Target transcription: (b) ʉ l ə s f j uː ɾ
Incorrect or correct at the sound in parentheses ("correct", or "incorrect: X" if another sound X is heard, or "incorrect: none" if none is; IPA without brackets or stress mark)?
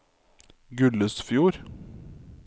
incorrect: ɡ